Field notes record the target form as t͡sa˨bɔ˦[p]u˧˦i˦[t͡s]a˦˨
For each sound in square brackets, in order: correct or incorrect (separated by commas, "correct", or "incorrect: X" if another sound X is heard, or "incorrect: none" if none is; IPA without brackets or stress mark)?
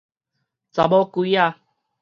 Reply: incorrect: k, incorrect: none